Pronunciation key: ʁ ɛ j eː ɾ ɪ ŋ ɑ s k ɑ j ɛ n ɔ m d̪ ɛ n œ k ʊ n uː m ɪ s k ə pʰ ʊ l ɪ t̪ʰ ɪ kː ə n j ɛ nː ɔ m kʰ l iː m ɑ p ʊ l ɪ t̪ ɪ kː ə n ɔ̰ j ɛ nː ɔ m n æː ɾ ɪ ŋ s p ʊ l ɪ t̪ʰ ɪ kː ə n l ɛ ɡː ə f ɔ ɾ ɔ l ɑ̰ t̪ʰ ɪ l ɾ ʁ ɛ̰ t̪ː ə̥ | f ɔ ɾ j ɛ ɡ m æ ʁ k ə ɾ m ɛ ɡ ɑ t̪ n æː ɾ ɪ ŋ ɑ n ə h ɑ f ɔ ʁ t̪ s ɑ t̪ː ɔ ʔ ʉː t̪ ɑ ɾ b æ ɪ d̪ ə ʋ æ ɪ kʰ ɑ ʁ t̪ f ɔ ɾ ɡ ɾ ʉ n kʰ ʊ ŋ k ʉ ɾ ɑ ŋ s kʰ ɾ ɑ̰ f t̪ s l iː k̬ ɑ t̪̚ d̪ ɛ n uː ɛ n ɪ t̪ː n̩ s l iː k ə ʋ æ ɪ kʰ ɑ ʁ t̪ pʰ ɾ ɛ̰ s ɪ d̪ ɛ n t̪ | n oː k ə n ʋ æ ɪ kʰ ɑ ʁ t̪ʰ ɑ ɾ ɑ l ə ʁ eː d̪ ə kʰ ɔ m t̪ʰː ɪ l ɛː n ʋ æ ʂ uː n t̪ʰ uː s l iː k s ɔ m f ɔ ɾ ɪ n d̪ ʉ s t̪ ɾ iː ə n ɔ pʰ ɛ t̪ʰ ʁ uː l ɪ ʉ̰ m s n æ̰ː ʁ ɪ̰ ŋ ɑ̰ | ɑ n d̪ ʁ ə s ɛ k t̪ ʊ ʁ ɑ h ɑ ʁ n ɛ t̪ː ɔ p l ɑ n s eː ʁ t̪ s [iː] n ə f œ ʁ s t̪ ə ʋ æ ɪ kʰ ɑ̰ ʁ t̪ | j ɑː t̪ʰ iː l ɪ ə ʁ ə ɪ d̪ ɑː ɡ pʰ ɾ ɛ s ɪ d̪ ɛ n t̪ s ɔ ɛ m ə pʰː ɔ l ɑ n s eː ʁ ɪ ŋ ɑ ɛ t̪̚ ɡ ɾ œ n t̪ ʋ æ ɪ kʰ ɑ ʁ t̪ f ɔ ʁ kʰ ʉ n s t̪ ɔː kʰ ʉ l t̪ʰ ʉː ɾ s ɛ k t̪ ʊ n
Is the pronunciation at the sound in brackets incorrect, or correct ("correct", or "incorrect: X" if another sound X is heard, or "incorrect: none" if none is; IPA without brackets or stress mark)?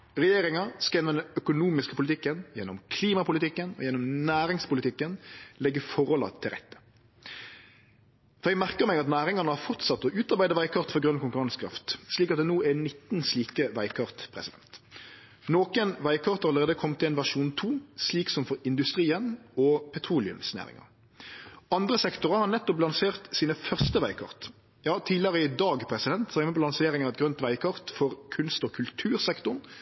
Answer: correct